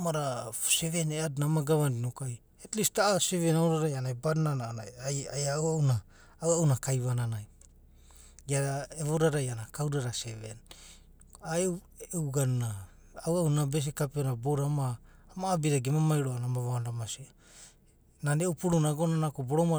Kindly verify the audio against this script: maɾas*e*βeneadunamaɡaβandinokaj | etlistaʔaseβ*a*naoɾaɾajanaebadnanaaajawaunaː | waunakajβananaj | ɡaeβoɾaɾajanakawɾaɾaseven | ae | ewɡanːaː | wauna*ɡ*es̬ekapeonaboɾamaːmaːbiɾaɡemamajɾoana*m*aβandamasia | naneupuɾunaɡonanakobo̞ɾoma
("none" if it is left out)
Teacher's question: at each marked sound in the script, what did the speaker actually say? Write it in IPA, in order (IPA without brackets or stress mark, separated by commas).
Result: e, e, b, m